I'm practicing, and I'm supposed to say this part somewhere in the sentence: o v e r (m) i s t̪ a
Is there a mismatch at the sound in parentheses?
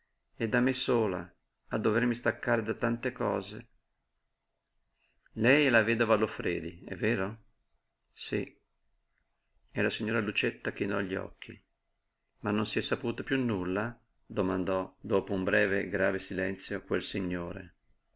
no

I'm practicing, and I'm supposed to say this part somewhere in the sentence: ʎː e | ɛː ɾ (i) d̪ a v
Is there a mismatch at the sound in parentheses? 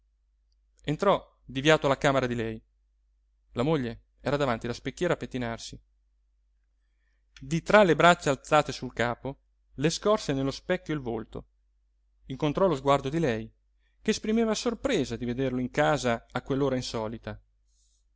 yes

